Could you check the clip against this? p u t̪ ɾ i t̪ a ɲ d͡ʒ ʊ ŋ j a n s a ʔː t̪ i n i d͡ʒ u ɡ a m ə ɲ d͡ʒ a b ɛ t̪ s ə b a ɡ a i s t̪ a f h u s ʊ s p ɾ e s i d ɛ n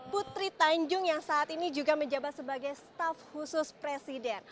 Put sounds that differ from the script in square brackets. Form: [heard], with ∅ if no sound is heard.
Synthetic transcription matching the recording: p u t̪ ɾ i t̪ a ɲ d͡ʒ ʊ ŋ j a [ŋ] s a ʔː t̪ i n i d͡ʒ u ɡ a m ə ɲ d͡ʒ a b [a] t̪ s ə b a ɡ a [j] s t̪ a f h u s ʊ s p ɾ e s i d ɛ n